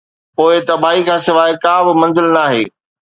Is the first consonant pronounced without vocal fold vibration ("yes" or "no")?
yes